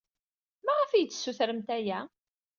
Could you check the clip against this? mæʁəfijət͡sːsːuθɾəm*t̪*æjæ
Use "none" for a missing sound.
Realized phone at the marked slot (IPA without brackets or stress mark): t̪